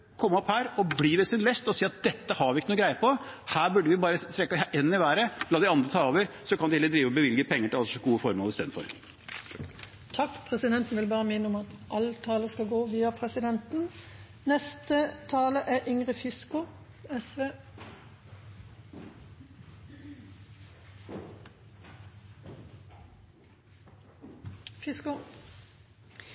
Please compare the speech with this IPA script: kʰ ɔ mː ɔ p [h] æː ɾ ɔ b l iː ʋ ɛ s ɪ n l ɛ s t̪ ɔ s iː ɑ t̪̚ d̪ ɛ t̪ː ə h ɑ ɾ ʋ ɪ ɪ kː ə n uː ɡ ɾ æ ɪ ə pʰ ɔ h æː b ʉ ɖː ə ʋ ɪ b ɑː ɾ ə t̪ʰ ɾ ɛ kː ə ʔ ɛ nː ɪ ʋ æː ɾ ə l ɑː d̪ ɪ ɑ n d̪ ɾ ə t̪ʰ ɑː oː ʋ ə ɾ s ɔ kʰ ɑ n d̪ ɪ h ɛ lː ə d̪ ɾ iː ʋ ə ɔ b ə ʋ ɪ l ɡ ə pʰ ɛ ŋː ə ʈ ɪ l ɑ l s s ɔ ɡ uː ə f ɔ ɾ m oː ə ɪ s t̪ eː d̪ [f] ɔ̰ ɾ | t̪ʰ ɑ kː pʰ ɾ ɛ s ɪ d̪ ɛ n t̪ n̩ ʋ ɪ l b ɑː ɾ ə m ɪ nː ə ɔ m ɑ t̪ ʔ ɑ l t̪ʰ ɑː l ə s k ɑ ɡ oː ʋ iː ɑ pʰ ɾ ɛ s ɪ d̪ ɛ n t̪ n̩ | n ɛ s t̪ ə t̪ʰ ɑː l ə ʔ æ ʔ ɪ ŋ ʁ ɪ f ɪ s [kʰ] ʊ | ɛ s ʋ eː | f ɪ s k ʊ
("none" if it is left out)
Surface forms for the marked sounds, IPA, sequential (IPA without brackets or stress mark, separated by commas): h, f, k